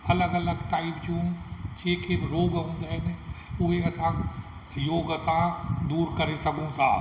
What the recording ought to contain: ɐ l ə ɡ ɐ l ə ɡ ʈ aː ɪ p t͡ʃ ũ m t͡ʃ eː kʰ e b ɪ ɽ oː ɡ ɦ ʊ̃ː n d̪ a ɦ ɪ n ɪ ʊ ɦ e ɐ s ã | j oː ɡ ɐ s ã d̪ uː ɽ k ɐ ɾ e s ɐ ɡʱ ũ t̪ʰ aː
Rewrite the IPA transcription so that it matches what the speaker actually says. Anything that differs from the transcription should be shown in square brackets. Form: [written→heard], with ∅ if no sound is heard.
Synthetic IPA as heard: ɐ l ə ɡ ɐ l ə ɡ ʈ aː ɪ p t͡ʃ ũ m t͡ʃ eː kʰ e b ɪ [ɽ→ɾ] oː ɡ ɦ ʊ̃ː n d̪ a ɦ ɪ n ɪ ʊ ɦ e ɐ s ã | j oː ɡ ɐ s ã d̪ uː [ɽ→ɾ] k ɐ ɾ e s ɐ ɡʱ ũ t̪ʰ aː

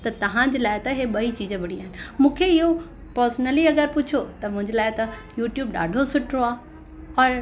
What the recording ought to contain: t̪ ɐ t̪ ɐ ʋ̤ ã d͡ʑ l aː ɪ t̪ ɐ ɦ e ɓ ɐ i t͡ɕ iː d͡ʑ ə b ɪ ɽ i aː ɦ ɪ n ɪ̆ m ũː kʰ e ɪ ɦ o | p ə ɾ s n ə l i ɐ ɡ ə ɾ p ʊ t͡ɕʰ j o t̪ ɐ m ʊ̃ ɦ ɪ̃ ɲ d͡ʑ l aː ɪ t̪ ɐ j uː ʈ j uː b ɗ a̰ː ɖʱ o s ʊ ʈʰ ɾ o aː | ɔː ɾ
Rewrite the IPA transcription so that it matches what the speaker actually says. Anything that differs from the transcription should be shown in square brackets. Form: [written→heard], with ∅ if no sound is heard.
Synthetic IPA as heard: t̪ ɐ t̪ ɐ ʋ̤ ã d͡ʑ l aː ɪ t̪ ɐ ɦ e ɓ ɐ i t͡ɕ iː d͡ʑ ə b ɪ ɽ i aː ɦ ɪ n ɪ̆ m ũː kʰ e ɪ ɦ o | p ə ɾ s n ə l i ɐ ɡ ə ɾ p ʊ t͡ɕʰ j o t̪ ɐ m ʊ̃ ɦ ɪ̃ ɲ d͡ʑ l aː ɪ t̪ ɐ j uː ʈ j uː b ɗ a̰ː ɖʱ o s ʊ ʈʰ ɾ o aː | ɔː ɾ

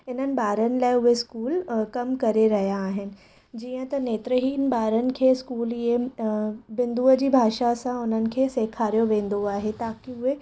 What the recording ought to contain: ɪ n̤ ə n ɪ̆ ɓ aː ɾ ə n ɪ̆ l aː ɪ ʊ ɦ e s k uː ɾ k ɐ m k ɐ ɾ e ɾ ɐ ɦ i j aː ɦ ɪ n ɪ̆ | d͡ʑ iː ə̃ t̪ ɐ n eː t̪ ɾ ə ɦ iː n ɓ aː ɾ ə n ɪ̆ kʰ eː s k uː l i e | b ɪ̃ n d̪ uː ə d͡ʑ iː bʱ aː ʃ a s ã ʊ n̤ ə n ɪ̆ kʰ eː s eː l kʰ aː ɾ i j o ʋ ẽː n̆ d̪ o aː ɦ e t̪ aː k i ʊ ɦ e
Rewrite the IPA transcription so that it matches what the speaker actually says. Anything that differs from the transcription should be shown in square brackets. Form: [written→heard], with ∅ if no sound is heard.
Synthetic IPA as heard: ɪ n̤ ə n ɪ̆ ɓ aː ɾ ə n ɪ̆ l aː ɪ ʊ ɦ e s k uː [ɾ→l] k ɐ m k ɐ ɾ e ɾ ɐ ɦ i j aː ɦ ɪ n ɪ̆ | d͡ʑ iː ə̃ t̪ ɐ n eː t̪ ɾ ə ɦ iː n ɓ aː ɾ ə n ɪ̆ kʰ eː s k uː l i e | b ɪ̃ n d̪ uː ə d͡ʑ iː bʱ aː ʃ a s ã ʊ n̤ ə n ɪ̆ kʰ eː s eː [l→∅] kʰ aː ɾ i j o ʋ ẽː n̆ d̪ o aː ɦ e t̪ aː k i ʊ ɦ e

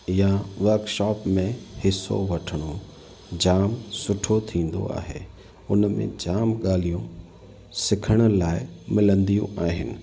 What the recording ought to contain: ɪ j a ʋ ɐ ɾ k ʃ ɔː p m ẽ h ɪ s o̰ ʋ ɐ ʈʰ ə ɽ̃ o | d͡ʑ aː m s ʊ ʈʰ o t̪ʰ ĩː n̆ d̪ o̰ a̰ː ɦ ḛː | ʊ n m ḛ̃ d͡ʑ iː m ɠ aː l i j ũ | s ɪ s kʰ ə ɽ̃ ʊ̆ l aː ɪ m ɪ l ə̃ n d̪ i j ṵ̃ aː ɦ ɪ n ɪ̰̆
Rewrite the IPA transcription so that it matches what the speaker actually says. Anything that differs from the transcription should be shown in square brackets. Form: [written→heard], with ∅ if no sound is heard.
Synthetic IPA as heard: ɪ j a ʋ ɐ ɾ k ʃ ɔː p m ẽ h ɪ s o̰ ʋ ɐ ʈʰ ə ɽ̃ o | d͡ʑ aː m s ʊ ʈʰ o t̪ʰ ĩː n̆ d̪ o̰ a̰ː ɦ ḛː | ʊ n m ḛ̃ d͡ʑ [iː→aː] m ɠ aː l i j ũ | s ɪ [s→∅] kʰ ə ɽ̃ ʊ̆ l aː ɪ m ɪ l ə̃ n d̪ i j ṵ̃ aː ɦ ɪ n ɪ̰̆

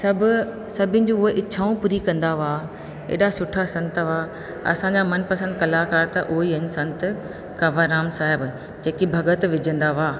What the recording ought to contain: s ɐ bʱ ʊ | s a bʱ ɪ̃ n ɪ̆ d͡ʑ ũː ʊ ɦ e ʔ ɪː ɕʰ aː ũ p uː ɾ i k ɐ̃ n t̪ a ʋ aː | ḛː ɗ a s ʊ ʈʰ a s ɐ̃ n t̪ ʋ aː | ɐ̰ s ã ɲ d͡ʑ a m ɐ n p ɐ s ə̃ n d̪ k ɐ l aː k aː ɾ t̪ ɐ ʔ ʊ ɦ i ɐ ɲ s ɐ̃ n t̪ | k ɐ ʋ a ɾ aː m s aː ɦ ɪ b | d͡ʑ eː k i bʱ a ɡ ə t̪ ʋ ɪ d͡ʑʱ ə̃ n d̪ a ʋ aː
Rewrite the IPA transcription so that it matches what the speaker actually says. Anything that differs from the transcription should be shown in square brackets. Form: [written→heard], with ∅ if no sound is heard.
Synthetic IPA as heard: s ɐ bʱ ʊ | s [a→ɐ] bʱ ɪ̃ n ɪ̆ d͡ʑ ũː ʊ ɦ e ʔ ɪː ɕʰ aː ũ p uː ɾ i k ɐ̃ n [t̪→d̪] a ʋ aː | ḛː ɗ a s ʊ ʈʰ a s ɐ̃ n t̪ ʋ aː | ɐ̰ s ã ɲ d͡ʑ a m ɐ n p ɐ s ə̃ n d̪ k ɐ l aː k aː ɾ t̪ ɐ ʔ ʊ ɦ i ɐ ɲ s ɐ̃ n t̪ | k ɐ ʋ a ɾ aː m s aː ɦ ɪ b | d͡ʑ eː k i bʱ [a→ɐ] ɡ ə t̪ ʋ ɪ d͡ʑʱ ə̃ n d̪ a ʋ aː

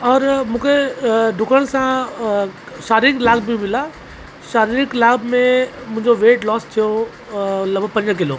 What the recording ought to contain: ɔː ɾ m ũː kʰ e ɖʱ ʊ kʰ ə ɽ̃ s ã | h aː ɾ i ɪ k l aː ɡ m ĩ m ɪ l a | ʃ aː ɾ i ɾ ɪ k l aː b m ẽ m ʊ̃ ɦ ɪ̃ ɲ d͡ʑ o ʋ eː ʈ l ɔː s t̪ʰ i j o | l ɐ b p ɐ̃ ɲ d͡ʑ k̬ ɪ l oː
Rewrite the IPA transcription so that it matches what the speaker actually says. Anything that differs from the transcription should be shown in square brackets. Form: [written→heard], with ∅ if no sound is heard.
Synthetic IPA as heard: ɔː ɾ m ũː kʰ e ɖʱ ʊ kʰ ə ɽ̃ s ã | [h→ʃ] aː ɾ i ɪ k l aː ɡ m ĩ m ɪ l a | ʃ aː ɾ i ɾ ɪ k l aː b m ẽ m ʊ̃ ɦ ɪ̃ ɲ d͡ʑ o ʋ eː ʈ l ɔː s t̪ʰ i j o | l ɐ b p ɐ̃ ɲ d͡ʑ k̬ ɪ l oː

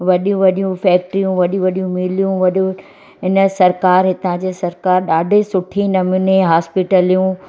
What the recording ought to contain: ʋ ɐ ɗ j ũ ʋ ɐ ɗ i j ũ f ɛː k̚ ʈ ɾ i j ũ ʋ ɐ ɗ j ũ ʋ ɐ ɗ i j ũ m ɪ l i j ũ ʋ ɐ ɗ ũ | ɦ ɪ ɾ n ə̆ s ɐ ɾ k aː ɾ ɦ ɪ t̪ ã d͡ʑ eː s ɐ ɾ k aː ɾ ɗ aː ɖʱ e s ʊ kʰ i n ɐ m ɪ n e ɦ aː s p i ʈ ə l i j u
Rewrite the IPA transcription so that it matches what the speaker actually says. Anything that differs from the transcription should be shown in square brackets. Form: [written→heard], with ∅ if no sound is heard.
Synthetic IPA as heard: ʋ ɐ ɗ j ũ ʋ ɐ ɗ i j ũ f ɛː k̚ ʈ ɾ i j ũ ʋ ɐ ɗ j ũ ʋ ɐ ɗ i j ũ m ɪ l i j ũ ʋ ɐ ɗ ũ | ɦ ɪ [ɾ→∅] n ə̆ s ɐ ɾ k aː ɾ ɦ ɪ t̪ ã d͡ʑ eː s ɐ ɾ k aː ɾ ɗ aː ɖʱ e s ʊ [kʰ→ʈʰ] i n ɐ m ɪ n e ɦ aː s p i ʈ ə l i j [u→ũ]

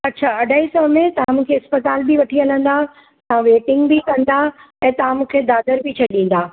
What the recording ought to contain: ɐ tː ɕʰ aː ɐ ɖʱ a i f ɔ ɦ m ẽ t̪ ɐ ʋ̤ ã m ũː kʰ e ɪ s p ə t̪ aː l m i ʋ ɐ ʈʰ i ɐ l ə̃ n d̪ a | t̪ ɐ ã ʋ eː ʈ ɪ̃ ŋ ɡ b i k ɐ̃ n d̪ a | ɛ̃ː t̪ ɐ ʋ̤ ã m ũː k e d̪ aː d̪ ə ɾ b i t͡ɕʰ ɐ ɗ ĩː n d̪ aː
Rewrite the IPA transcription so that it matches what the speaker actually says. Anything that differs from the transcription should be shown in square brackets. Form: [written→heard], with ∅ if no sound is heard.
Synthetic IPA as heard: ɐ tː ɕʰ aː ɐ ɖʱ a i [f→s] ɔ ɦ m ẽ t̪ ɐ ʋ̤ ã m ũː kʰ e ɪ s p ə t̪ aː l [m→b] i ʋ ɐ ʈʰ i ɐ l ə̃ n d̪ a | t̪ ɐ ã ʋ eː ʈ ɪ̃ ŋ ɡ b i k ɐ̃ n d̪ a | ɛ̃ː t̪ ɐ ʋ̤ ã m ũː [k→kʰ] e d̪ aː d̪ ə ɾ b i t͡ɕʰ ɐ ɗ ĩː n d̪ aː

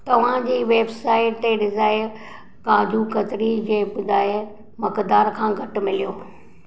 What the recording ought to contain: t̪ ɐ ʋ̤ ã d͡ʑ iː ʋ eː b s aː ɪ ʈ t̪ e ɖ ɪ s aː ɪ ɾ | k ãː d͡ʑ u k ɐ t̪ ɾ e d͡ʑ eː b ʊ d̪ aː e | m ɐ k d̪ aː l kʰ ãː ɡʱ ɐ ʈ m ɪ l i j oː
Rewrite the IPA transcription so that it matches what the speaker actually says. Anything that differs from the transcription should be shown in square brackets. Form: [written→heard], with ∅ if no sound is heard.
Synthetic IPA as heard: t̪ ɐ ʋ̤ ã d͡ʑ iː ʋ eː b s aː ɪ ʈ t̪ e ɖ ɪ [s→z] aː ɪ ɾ | k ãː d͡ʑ u k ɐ t̪ ɾ [e→i] d͡ʑ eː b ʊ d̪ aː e | m ɐ k d̪ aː [l→ɾ] kʰ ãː ɡʱ ɐ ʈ m ɪ l i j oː

